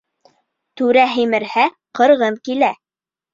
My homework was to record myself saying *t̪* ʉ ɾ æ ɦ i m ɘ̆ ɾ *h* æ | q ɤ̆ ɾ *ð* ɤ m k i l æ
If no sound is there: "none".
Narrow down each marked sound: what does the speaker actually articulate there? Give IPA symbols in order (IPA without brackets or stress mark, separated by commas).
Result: t̪, h, ʁ